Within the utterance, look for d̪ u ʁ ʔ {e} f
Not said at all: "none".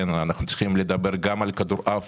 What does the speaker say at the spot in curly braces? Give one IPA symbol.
a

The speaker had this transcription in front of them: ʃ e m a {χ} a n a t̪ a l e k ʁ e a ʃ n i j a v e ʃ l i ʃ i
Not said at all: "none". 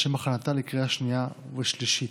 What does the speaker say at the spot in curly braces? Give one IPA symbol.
χ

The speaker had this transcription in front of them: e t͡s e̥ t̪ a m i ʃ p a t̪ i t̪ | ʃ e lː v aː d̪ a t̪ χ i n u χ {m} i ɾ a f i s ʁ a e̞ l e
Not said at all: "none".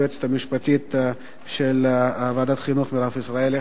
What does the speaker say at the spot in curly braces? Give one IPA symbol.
m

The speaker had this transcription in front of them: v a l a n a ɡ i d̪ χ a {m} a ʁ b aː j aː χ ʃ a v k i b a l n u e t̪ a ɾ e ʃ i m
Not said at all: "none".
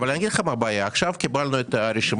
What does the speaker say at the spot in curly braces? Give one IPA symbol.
m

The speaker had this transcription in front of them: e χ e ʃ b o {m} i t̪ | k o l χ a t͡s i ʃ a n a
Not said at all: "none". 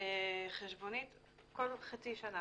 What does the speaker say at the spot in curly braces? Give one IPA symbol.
n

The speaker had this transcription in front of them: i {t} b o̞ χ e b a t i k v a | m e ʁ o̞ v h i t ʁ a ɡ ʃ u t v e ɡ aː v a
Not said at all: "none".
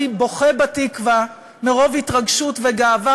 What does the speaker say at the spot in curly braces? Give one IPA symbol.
none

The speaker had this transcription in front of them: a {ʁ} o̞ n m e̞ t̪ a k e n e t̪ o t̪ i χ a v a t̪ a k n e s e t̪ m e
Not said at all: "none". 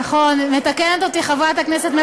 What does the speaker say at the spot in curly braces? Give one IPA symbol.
χ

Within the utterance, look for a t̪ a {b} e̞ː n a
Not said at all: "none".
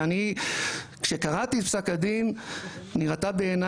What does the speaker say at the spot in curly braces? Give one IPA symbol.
b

